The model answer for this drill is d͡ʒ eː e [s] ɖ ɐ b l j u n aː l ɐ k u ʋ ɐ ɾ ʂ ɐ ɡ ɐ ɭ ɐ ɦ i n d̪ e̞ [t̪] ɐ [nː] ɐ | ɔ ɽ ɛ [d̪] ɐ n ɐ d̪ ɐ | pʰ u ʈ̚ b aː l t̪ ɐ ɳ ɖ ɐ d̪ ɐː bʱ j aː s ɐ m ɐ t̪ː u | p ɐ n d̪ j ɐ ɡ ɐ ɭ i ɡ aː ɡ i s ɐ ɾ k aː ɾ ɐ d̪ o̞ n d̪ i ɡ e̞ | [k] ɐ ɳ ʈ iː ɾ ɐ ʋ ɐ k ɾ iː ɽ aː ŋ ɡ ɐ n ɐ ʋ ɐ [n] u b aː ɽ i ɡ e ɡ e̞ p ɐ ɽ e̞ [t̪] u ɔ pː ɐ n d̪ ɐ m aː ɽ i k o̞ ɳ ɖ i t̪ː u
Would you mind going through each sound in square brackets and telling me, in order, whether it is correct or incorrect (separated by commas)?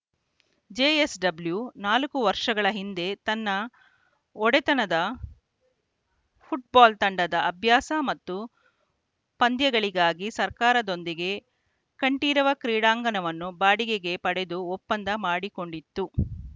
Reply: correct, correct, correct, incorrect, correct, incorrect, incorrect